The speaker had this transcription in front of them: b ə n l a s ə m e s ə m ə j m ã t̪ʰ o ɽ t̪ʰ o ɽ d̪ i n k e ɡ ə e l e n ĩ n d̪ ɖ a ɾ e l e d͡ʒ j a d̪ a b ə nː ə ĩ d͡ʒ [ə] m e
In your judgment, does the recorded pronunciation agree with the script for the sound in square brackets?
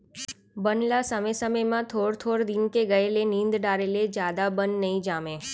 no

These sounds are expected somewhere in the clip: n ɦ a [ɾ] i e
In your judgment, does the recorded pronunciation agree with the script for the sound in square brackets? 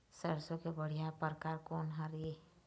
yes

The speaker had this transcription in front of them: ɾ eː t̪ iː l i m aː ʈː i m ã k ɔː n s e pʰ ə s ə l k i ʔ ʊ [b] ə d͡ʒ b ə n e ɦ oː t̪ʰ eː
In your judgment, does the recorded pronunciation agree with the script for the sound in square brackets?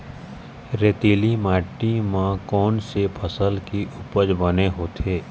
no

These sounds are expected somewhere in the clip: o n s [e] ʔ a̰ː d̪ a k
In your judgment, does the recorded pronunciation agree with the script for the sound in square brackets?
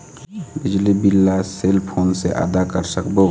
yes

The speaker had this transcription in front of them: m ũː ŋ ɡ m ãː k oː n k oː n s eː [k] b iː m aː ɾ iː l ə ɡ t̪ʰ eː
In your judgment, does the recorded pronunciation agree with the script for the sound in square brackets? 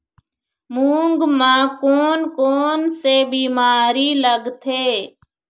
no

